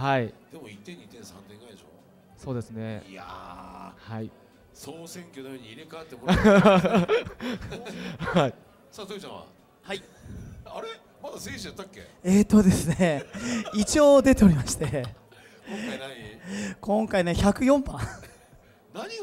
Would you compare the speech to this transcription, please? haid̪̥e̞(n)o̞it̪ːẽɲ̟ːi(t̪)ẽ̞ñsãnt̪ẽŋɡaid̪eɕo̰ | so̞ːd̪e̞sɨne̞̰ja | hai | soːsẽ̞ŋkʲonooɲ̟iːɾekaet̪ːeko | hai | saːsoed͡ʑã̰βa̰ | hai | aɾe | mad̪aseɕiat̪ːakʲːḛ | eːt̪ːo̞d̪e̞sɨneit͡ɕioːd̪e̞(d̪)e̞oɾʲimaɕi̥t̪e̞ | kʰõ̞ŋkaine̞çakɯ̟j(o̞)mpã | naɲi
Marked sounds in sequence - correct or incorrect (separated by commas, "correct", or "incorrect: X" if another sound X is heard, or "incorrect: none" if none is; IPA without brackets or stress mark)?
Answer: incorrect: m, correct, incorrect: t̪, incorrect: õ̞